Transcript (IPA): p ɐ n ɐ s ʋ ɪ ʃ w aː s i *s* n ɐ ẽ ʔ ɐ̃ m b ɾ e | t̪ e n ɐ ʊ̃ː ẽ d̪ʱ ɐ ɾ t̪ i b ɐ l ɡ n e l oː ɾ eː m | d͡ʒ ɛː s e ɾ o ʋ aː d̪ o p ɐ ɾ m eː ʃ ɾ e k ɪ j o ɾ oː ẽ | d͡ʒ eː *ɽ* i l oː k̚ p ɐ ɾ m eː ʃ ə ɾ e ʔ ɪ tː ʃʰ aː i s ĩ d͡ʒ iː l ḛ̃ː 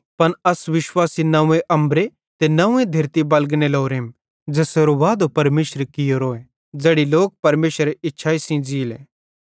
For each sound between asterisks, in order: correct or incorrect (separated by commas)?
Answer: incorrect, correct